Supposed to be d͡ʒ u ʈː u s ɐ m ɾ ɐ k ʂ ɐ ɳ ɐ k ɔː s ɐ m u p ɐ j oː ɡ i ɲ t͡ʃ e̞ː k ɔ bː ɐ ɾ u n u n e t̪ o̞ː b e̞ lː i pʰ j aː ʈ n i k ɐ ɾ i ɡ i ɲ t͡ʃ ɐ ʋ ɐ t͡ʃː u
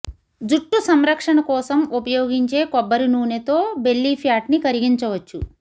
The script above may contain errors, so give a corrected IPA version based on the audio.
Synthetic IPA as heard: d͡ʒ u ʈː u s ɐ m ɾ ɐ k ʂ ɐ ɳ ɐ k ɔː s ɐ m u p ɐ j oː ɡ i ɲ t͡ʃ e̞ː k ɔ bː ɐ ɾ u n uː n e t̪ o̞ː b e̞ lː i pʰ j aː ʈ n i k ɐ ɾ i ɡ i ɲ t͡ʃ ɐ ʋ ɐ t͡ʃː u